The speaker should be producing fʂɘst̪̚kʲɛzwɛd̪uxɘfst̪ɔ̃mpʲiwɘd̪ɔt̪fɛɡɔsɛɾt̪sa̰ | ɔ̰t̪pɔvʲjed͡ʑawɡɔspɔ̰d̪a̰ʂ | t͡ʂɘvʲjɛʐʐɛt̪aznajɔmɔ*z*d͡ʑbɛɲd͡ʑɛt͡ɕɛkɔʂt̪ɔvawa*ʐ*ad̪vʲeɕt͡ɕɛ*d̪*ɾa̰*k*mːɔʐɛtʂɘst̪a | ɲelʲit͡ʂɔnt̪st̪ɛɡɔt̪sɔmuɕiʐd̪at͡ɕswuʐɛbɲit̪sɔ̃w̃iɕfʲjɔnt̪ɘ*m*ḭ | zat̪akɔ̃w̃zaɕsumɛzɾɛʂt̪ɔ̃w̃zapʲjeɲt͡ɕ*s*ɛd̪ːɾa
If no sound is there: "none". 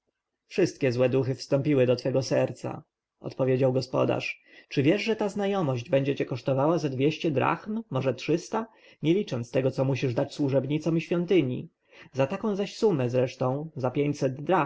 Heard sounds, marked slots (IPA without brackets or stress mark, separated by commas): ʑ, z, d̪, x, ɲ, s